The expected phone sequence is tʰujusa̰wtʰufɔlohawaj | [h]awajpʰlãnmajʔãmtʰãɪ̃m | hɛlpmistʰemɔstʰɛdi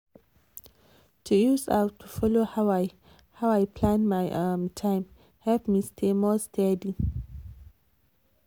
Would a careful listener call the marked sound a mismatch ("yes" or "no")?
no